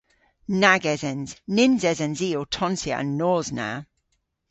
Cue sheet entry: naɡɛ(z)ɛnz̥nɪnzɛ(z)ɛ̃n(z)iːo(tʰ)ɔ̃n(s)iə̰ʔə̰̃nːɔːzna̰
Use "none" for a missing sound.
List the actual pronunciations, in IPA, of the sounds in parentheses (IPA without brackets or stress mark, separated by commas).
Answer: z, z, z, tʰ, s